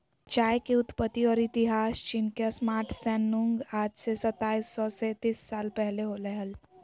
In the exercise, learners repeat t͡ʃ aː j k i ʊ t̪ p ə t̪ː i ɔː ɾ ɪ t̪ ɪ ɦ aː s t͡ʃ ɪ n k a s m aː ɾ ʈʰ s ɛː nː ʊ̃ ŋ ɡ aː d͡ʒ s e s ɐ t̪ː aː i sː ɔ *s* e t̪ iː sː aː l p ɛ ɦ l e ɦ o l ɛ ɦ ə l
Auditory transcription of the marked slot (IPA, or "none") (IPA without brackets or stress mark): s